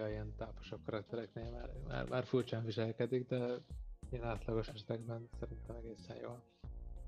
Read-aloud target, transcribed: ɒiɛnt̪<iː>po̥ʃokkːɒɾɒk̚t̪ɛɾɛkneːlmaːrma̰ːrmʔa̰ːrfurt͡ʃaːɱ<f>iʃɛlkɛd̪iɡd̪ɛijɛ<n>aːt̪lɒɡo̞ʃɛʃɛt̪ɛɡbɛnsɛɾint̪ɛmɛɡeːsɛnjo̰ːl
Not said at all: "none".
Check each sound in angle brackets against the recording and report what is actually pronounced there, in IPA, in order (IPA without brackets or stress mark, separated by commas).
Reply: aː, v, n